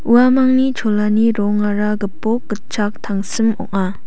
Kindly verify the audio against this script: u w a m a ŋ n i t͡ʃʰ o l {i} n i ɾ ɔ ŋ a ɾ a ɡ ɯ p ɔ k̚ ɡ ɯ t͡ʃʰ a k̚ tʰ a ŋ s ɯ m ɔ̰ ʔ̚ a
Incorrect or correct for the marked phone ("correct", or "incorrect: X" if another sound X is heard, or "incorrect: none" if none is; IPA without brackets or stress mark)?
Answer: incorrect: a